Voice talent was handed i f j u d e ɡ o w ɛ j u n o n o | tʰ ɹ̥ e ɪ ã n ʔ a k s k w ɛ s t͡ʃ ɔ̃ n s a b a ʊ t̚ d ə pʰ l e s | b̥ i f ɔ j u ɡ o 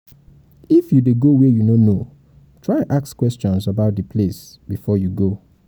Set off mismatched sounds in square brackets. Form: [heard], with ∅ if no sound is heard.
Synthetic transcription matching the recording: i f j u d e ɡ o w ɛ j u n o n o | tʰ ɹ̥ [a] ɪ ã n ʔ a k s k w ɛ s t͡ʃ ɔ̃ n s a b a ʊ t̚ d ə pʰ l e s | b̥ i f ɔ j u ɡ o

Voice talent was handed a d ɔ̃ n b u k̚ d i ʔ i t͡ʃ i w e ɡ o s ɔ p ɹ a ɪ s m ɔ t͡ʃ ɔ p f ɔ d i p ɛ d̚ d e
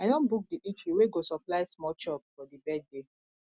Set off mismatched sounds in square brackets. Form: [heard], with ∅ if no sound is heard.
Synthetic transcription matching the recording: a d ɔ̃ n b u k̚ d i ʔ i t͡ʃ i w e ɡ o s ɔ p [l] a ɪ s m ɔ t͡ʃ ɔ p f ɔ d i [b] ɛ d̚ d e

